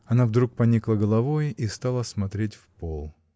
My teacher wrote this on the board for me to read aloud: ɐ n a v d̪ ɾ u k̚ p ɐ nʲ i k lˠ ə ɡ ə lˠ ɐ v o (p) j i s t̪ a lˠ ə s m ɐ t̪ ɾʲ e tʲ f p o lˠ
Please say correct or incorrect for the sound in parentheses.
incorrect